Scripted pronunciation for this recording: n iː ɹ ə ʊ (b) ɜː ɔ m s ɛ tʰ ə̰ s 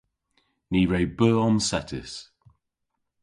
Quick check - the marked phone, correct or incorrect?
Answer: correct